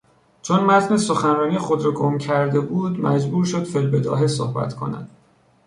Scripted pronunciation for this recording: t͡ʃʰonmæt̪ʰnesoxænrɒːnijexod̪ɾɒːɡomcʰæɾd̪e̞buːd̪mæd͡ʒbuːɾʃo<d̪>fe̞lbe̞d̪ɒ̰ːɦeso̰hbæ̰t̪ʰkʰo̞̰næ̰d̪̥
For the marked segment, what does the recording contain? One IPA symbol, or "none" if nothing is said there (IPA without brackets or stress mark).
d̪